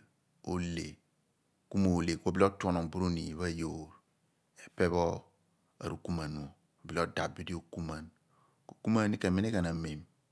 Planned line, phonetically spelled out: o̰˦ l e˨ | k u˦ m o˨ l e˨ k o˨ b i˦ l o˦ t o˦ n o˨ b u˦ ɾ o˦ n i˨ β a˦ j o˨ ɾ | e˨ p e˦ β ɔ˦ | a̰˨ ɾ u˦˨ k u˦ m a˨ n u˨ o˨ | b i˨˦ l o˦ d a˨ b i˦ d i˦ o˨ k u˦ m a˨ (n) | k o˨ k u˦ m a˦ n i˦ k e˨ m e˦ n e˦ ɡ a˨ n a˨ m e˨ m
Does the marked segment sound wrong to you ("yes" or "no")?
no